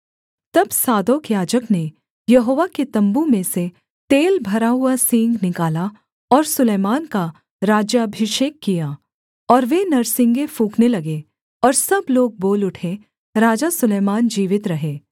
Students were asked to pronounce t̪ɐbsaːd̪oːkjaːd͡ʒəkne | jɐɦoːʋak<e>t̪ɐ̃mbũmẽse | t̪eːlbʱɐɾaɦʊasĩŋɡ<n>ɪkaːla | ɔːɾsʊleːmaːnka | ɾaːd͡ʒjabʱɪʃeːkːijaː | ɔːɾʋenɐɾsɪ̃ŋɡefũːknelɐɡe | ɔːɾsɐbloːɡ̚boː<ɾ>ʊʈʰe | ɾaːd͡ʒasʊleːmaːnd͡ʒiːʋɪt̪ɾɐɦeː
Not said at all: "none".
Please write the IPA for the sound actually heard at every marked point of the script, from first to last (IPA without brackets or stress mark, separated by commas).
e, n, l